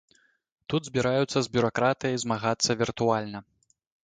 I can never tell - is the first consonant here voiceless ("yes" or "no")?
yes